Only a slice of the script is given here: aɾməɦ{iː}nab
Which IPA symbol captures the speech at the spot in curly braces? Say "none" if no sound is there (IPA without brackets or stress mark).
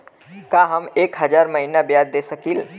i